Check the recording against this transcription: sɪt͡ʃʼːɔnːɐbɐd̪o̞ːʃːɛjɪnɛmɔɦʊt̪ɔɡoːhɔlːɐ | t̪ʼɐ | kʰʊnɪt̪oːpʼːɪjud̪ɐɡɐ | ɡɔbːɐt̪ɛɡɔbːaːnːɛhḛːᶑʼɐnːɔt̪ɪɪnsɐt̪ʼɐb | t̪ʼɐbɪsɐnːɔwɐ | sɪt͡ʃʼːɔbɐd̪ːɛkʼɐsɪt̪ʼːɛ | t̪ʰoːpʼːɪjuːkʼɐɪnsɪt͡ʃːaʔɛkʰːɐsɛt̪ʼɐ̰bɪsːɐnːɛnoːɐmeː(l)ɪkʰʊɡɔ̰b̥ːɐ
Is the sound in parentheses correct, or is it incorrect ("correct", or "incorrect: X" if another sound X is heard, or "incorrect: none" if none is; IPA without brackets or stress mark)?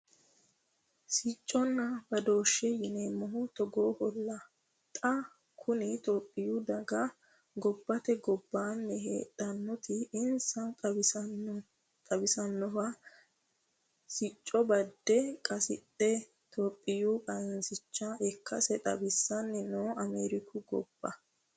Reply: incorrect: ɾ